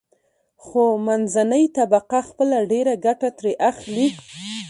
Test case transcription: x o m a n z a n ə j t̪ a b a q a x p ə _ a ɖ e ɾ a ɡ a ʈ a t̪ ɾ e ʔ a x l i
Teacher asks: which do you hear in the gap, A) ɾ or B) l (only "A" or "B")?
B